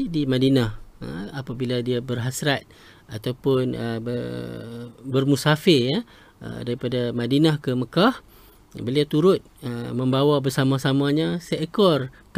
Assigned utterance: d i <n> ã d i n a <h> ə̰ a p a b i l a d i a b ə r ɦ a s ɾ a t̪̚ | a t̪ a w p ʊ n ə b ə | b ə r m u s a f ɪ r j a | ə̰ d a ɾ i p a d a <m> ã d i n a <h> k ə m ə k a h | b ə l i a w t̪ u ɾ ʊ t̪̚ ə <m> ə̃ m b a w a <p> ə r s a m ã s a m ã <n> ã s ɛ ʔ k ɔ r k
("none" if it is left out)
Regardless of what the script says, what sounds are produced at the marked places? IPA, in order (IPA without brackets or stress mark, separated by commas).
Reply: m, h, m, h, m, b, ɲ